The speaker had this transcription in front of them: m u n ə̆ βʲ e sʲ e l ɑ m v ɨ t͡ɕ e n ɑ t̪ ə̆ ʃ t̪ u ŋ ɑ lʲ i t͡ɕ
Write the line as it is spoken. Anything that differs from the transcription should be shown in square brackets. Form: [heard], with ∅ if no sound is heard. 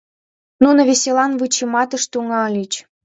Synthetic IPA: [n] u n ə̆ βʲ e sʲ e l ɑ [n] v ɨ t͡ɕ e [m] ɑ t̪ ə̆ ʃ t̪ u ŋ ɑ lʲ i t͡ɕ